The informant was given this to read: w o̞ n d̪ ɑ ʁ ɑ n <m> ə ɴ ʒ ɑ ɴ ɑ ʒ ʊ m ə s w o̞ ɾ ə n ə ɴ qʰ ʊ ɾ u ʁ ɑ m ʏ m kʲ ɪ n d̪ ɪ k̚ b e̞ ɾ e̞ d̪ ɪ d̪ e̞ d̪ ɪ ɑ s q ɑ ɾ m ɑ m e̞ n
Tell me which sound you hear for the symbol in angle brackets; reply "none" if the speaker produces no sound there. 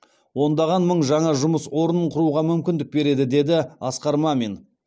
m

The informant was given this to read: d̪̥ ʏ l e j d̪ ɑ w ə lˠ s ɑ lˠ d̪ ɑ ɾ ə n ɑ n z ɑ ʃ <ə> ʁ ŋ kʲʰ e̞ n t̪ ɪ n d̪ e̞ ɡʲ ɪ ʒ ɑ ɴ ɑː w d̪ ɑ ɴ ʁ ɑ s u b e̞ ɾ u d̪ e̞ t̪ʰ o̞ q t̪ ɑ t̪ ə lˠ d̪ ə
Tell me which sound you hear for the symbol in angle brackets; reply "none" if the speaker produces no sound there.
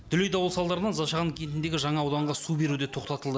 ɑ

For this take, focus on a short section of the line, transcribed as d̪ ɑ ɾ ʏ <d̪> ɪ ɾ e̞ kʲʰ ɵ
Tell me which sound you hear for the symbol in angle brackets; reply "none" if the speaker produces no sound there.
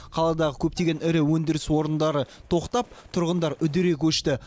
d̪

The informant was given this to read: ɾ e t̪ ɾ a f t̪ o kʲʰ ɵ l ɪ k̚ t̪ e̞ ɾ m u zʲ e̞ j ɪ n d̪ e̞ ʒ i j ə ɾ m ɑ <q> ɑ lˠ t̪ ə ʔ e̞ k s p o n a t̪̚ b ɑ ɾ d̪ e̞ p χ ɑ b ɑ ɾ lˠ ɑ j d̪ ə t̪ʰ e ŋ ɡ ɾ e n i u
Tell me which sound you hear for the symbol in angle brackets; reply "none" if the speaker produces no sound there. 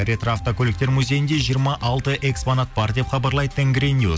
ʔ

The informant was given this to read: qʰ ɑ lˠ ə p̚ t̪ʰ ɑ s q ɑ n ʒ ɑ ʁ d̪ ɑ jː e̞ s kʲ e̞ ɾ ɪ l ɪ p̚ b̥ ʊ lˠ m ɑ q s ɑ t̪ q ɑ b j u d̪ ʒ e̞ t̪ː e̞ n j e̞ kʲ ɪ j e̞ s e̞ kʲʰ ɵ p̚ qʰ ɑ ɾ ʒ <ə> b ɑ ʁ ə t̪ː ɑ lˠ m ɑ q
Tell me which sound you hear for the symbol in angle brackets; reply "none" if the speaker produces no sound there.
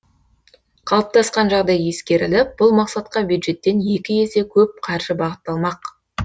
ə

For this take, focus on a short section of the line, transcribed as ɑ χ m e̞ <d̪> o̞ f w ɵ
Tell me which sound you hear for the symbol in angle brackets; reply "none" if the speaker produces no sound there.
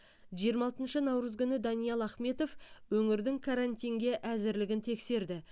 t̪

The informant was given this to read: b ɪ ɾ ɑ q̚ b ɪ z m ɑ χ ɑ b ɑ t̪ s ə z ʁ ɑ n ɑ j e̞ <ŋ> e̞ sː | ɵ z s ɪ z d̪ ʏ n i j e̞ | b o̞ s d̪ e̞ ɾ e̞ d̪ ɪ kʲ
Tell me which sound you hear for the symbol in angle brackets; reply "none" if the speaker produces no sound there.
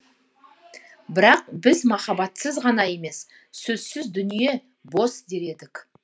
m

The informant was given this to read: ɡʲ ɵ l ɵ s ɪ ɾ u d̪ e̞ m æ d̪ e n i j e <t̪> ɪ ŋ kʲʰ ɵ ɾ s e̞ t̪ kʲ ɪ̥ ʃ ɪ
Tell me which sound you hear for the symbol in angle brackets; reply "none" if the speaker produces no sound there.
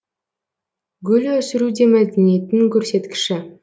t̪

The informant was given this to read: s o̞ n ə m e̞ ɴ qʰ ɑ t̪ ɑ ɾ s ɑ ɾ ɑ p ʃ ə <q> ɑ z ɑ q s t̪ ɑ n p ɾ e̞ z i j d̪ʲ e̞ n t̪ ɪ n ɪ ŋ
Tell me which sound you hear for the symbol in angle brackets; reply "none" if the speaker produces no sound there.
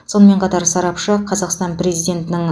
qʰ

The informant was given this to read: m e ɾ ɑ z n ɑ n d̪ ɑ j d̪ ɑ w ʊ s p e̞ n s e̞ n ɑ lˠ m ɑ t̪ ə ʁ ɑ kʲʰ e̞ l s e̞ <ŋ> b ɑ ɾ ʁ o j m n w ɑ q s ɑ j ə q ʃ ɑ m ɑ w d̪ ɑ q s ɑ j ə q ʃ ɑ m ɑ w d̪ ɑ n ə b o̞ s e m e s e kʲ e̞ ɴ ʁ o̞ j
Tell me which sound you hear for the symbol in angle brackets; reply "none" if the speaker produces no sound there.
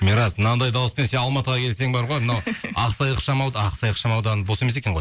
ŋ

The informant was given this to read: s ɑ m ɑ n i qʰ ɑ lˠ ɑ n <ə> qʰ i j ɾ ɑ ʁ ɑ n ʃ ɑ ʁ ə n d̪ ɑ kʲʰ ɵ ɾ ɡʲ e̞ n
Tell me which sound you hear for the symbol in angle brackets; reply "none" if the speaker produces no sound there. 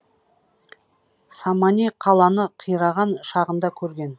ə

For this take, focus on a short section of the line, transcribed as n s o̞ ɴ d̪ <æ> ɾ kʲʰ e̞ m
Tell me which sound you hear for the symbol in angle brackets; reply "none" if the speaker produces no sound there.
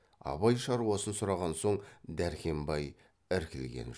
æ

